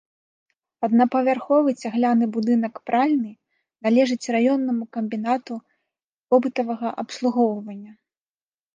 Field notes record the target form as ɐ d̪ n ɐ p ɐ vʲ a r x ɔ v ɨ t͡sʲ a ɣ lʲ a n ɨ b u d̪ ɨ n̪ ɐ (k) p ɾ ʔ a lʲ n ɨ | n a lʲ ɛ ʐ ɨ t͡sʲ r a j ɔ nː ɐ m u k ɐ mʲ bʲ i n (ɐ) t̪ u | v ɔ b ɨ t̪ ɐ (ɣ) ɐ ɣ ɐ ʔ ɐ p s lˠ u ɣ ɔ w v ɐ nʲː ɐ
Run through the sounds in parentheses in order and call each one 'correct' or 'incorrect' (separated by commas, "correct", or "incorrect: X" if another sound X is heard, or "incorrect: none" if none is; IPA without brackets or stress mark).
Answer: correct, incorrect: a, incorrect: v